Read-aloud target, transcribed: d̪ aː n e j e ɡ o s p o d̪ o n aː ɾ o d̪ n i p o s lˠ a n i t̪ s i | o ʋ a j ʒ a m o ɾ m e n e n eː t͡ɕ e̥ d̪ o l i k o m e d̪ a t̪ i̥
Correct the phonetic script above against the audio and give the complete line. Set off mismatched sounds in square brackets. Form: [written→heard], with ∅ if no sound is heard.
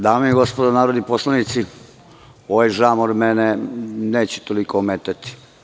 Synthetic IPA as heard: d̪ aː [n→m] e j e ɡ o s p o d̪ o n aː ɾ o d̪ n i p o s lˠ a n i t̪ s i | o ʋ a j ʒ a m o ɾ m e n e n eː t͡ɕ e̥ [d̪→t̪] o l i k o m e [d̪→t̪] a t̪ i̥